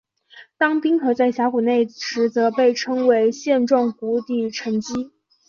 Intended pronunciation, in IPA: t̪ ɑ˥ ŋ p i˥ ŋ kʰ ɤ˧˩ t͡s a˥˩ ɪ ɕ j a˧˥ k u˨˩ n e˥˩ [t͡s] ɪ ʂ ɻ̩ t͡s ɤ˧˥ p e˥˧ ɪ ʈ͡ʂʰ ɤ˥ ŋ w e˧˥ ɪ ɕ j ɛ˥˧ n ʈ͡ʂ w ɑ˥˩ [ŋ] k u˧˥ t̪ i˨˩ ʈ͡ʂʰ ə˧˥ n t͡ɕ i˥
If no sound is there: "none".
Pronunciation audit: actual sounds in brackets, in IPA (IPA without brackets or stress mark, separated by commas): none, ŋ